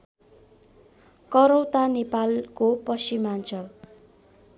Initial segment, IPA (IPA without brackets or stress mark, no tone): k